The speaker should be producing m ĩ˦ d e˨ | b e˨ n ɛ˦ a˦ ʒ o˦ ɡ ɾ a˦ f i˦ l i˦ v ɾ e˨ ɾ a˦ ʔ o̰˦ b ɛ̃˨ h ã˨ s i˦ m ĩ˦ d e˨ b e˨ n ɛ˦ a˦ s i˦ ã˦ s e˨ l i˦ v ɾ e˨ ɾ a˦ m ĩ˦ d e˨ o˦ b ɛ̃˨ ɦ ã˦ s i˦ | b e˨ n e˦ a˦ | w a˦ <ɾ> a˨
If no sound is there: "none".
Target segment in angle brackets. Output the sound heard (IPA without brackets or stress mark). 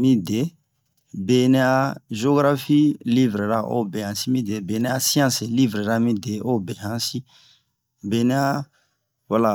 l